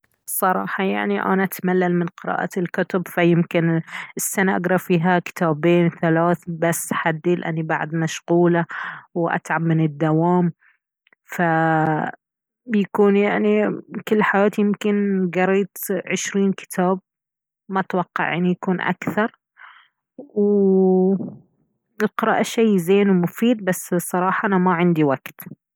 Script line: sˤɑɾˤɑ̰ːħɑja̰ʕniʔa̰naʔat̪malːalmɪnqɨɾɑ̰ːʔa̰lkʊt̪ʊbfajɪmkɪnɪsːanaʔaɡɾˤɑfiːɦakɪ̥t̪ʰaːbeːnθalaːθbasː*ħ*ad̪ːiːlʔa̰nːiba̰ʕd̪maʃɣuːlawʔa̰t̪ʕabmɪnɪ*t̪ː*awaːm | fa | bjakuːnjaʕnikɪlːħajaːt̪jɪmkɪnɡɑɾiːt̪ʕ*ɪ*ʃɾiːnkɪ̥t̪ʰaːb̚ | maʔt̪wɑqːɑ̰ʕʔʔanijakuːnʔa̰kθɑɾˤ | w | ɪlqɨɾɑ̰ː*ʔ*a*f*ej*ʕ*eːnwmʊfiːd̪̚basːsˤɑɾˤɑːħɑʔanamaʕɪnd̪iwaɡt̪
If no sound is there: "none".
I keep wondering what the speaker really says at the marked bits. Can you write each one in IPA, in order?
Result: ħ, d̪ː, ɪ, ʔ, ʃ, z

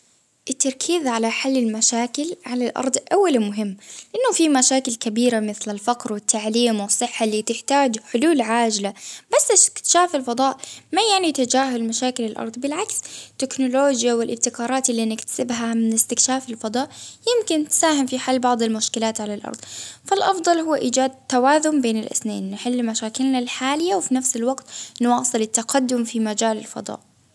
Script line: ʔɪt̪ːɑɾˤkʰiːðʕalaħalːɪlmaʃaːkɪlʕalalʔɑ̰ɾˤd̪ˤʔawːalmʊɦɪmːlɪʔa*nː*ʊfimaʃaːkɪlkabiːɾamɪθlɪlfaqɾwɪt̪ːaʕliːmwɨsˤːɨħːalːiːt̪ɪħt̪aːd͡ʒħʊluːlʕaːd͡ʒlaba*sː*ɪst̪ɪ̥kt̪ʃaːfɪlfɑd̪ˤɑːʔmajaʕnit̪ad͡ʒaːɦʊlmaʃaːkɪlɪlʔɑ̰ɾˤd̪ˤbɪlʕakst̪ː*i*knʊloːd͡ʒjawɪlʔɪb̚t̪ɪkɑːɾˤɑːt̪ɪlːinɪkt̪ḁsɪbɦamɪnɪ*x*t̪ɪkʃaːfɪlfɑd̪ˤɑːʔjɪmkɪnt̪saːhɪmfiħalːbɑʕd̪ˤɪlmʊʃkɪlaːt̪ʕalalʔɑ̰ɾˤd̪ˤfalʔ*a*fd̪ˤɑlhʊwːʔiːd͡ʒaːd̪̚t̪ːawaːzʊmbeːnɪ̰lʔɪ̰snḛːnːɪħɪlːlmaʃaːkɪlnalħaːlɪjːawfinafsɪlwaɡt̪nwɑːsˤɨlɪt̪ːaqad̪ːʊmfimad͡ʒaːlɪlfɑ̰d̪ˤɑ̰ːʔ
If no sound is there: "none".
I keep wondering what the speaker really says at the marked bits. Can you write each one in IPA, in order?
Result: nː, sː, ɪ, s, ɑ

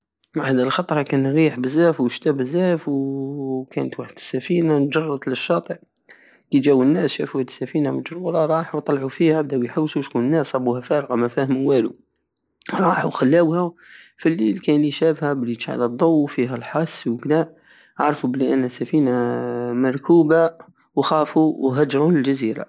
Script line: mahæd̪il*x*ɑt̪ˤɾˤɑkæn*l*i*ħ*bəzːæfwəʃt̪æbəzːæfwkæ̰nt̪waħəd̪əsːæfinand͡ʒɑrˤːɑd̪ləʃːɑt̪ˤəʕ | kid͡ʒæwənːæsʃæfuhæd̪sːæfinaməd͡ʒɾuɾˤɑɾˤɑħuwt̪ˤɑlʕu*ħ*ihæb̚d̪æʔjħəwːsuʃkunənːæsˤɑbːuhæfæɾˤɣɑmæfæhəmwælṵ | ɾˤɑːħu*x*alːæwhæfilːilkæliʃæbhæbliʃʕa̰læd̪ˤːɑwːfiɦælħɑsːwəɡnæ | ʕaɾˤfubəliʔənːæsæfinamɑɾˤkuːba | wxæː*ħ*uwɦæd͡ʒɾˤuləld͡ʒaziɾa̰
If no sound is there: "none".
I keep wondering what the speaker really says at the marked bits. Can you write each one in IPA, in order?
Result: x, ɾ, ħ, f, x, f

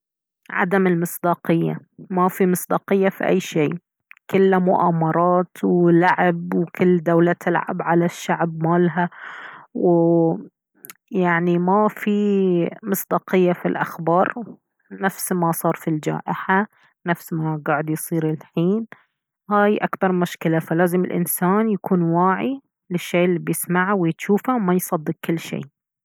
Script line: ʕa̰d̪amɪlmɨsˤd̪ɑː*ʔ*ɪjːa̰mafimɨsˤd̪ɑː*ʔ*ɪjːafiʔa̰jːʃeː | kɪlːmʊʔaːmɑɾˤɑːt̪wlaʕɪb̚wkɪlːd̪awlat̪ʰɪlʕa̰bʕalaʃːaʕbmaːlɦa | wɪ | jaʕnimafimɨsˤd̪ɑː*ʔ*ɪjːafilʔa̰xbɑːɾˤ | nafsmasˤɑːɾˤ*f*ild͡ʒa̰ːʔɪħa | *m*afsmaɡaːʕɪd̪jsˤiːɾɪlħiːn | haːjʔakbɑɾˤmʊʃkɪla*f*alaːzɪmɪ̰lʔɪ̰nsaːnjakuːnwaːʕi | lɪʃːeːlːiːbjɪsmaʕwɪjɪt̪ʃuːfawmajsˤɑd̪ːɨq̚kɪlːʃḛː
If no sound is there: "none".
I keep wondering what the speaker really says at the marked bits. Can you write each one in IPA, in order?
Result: q, q, q, f, n, f

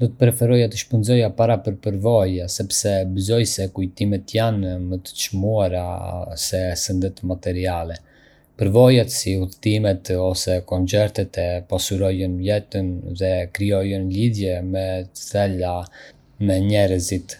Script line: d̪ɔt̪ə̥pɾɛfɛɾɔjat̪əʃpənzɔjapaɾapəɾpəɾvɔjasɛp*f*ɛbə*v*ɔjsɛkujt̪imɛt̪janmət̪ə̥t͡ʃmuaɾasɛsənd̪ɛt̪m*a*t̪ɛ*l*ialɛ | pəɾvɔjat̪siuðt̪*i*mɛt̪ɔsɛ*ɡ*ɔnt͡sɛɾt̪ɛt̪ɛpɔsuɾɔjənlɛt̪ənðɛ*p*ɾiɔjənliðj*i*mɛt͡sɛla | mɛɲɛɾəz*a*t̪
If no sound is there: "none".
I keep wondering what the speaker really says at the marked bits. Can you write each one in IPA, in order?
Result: s, z, a, ɾ, i, k, k, ɛ, i

